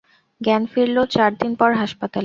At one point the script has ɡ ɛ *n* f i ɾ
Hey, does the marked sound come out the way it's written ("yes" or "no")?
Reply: yes